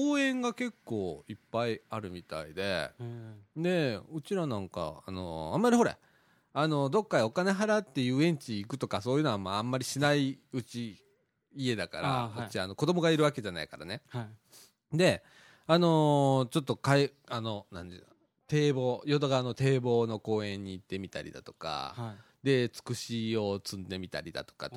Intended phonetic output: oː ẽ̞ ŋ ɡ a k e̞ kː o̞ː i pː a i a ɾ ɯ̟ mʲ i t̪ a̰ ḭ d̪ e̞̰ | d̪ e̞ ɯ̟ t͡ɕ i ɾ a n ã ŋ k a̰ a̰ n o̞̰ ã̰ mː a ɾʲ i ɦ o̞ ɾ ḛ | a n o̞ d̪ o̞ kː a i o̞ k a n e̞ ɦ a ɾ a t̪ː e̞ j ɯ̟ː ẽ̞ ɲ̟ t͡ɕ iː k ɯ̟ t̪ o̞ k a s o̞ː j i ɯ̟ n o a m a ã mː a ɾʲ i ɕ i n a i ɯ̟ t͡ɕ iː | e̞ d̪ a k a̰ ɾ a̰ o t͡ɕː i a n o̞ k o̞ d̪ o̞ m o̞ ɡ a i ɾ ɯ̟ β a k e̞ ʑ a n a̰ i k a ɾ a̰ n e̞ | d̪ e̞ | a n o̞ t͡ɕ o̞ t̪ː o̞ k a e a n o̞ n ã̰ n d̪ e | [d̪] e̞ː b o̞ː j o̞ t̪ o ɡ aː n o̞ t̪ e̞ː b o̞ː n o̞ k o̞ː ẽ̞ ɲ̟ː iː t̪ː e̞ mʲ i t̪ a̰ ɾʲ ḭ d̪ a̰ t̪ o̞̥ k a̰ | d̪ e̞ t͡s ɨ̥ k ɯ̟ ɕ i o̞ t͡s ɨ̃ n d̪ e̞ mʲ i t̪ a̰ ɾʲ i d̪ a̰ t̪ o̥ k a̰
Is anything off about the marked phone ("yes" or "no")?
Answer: yes